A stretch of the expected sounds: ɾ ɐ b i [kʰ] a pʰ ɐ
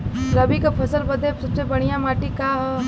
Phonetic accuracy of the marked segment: incorrect: k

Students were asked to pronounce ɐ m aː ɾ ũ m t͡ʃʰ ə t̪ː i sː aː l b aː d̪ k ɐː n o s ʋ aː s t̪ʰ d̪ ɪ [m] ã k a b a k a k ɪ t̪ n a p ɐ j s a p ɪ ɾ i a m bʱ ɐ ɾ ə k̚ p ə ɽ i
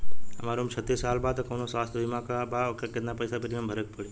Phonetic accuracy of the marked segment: correct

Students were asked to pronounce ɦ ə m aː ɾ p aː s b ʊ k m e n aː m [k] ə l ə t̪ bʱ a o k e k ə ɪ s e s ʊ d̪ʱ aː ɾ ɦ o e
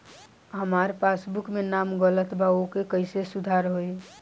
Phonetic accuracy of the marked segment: incorrect: ɡ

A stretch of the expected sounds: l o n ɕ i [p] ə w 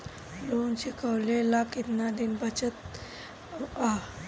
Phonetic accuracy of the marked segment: incorrect: k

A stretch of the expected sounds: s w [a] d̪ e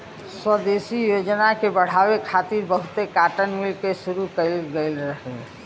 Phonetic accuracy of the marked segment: incorrect: ə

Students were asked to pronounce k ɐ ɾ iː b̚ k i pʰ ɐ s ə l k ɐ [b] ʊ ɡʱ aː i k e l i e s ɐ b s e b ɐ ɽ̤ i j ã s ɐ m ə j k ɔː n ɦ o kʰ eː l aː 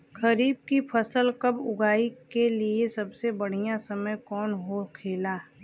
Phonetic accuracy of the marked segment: correct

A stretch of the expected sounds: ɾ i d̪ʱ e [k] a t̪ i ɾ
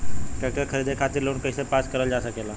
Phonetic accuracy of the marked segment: incorrect: kʰ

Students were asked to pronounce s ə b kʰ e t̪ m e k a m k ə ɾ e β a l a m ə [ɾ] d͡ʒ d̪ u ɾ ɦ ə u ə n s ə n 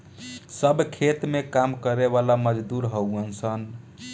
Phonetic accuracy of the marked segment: incorrect: none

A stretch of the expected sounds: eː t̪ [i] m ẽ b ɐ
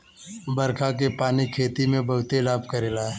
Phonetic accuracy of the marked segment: correct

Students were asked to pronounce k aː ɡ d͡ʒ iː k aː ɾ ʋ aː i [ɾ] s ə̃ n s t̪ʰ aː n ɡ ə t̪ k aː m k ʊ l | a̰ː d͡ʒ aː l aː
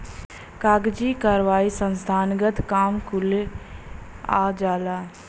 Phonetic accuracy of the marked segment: incorrect: none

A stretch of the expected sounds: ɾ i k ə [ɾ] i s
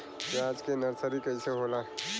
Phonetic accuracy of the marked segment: incorrect: none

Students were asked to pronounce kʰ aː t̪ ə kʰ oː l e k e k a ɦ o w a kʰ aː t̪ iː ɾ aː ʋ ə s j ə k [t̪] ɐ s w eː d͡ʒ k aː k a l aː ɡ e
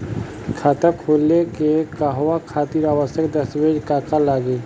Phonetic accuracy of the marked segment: incorrect: d̪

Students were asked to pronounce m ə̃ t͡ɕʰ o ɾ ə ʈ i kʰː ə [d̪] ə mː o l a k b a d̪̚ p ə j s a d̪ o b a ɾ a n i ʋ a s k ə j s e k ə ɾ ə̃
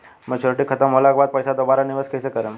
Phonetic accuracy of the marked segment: incorrect: t̪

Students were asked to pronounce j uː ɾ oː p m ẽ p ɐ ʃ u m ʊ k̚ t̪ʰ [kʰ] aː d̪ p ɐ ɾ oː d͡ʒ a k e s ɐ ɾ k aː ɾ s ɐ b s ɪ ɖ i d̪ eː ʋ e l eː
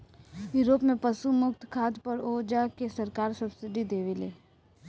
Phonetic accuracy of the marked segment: correct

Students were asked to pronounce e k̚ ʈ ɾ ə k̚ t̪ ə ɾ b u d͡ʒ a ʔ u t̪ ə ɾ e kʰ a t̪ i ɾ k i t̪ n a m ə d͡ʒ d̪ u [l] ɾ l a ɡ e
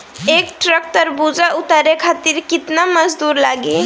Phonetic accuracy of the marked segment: incorrect: none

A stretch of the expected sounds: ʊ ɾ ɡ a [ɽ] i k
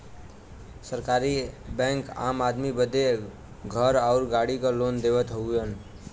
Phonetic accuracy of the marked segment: correct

